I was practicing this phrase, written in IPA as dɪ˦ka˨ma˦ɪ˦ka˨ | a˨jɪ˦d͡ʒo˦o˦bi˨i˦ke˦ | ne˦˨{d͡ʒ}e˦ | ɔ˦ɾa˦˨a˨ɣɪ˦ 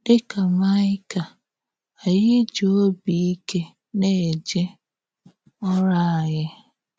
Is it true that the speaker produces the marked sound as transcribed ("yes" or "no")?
yes